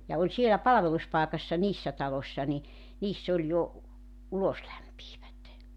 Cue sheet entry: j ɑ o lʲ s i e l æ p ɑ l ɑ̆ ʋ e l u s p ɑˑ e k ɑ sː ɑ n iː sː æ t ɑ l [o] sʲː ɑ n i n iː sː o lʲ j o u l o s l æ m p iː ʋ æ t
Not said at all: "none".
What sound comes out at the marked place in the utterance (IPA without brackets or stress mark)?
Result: o